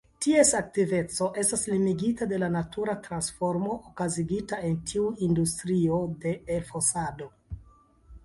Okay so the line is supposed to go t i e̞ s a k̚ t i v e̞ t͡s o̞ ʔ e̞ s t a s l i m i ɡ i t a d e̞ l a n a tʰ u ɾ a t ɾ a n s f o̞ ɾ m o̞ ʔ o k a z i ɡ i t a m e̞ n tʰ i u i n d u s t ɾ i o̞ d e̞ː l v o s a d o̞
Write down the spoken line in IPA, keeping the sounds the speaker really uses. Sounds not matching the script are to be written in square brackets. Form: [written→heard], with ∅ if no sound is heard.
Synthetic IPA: t i e̞ s a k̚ t i v e̞ t͡s o̞ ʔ e̞ s t a s l i m i ɡ i t a d e̞ l a n a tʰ u ɾ a t ɾ a n s f o̞ ɾ m o̞ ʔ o k a z i ɡ i t a [m→∅] e̞ n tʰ i u i n d u s t ɾ i o̞ d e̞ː l [v→f] o s a d o̞